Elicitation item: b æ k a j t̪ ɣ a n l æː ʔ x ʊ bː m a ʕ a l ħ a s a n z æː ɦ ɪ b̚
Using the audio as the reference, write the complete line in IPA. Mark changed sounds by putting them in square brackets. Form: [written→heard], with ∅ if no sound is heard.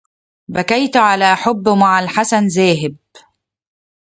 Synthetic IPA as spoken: b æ k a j t̪ [ɣ→ʕ] a [n→∅] l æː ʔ [x→ħ] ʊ bː m a ʕ a l ħ a s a n z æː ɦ ɪ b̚